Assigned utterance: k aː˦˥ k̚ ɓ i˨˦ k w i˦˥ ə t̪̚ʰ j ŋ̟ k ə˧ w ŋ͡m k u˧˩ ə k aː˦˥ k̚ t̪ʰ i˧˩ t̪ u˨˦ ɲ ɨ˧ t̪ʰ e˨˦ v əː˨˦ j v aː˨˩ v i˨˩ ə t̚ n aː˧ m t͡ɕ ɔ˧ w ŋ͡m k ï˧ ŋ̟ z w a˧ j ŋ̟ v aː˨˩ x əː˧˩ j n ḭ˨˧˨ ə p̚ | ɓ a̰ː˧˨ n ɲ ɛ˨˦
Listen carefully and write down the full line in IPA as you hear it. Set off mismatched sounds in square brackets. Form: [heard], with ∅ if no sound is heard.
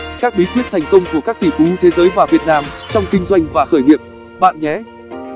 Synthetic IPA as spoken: k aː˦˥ k̚ ɓ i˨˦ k w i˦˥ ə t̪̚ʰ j ŋ̟ k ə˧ w ŋ͡m k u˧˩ ə k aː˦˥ k̚ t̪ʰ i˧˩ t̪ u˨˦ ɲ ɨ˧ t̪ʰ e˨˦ [z] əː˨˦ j v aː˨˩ v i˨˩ ə t̚ n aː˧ m t͡ɕ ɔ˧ w ŋ͡m k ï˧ ŋ̟ z w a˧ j ŋ̟ v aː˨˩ x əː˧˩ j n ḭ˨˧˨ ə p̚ | ɓ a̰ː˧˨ n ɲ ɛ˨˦